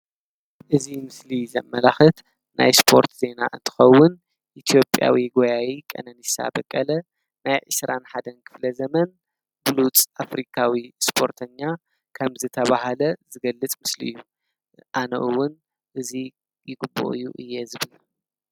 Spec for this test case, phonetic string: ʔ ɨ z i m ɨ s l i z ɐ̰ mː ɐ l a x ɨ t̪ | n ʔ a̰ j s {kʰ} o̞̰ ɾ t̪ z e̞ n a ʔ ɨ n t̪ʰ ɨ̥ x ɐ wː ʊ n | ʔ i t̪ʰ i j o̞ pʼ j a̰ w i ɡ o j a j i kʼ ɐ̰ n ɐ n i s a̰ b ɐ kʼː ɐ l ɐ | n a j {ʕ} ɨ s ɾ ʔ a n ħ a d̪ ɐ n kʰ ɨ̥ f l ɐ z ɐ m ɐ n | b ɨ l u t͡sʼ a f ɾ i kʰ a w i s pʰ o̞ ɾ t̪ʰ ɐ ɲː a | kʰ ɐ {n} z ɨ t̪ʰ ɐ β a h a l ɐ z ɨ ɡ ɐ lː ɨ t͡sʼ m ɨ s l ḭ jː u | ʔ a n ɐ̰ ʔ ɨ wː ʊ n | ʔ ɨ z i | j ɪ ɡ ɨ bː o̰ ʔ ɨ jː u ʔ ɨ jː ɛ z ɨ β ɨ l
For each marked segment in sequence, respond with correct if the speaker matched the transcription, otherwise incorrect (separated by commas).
incorrect, correct, incorrect